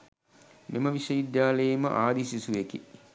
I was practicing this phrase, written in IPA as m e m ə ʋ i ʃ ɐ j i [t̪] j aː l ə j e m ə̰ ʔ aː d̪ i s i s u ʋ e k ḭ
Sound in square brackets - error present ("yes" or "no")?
yes